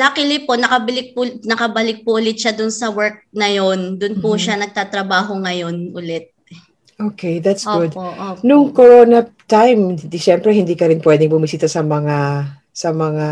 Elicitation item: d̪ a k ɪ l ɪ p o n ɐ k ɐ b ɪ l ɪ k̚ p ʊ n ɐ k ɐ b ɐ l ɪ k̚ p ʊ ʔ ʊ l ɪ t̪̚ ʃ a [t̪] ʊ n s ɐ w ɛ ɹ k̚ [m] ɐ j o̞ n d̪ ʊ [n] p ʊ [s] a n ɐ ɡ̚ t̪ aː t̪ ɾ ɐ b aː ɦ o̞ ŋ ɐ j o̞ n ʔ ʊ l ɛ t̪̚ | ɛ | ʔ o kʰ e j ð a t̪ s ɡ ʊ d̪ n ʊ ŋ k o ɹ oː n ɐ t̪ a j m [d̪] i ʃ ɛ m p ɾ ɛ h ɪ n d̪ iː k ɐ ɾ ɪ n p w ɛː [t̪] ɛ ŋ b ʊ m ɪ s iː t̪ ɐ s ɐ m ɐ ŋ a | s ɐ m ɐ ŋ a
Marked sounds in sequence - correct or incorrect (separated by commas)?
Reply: incorrect, incorrect, correct, incorrect, correct, incorrect